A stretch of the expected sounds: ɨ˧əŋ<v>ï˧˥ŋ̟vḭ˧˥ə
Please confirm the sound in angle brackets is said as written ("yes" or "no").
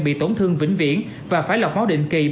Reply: yes